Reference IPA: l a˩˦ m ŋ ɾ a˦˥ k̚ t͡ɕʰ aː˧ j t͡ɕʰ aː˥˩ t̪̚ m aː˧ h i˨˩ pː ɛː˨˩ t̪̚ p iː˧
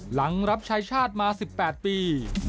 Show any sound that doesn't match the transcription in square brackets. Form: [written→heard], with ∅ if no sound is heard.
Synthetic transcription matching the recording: l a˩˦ [m→∅] ŋ ɾ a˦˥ [k̚→p̚] t͡ɕʰ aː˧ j t͡ɕʰ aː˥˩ t̪̚ m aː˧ [h→s] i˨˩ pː ɛː˨˩ t̪̚ p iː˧